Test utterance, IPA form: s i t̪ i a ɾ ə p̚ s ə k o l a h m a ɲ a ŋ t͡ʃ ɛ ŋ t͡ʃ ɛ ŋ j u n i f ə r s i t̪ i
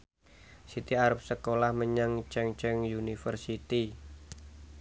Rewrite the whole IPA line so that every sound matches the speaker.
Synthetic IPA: s i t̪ i a ɾ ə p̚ s ə k o l a h m ə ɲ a ŋ t͡ʃ ɛ ŋ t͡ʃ ɛ ŋ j u n i f ə r s i t̪ i

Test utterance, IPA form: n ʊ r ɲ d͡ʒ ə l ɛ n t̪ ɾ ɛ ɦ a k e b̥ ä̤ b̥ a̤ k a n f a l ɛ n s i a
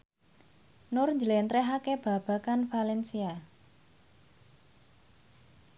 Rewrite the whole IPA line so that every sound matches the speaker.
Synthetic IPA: n ʊ r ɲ d͡ʒ ə l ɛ n t̪ ɾ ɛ ɦ a k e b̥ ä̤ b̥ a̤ k a n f a l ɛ n s i a

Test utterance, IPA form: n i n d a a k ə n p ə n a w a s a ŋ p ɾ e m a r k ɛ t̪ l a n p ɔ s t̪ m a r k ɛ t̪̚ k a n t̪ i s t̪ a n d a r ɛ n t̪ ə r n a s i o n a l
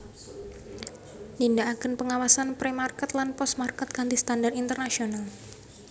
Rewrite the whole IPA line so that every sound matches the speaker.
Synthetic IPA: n i n d a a k ə n p ə ŋ a w a s a n p ɾ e m a r k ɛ t̪ l a n p ɔ s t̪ m a r k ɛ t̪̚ k a n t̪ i s t̪ a n d a r i n t̪ ə r n a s i o n a l

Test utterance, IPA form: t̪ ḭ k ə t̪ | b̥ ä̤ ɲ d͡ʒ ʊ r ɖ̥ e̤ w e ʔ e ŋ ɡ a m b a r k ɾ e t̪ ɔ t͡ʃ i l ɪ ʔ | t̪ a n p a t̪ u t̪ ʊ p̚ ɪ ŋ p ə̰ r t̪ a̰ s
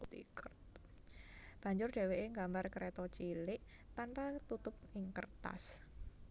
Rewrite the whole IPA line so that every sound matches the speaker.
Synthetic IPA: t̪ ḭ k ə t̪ | b̥ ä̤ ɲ d͡ʒ ʊ r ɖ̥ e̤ w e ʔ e ŋ ɡ a m b a r k ɾ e t̪ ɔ t͡ʃ i l ɪ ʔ | t̪ a n p a t̪ u t̪ ʊ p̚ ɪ ŋ k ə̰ r t̪ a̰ s

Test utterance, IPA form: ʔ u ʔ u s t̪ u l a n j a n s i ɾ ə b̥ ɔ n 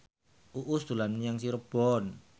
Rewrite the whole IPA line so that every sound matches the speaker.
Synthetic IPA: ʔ u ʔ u s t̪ u l a n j a ŋ s i ɾ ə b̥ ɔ n

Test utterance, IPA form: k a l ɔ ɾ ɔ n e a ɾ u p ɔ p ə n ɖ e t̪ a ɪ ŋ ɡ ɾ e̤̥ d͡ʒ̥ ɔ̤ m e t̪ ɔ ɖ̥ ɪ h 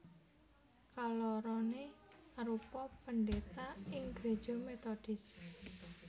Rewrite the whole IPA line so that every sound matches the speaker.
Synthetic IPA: k a l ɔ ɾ ɔ n e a ɾ u p ɔ p ə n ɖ e t̪ a ɪ ŋ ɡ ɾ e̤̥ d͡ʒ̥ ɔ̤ m e t̪ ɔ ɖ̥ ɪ s

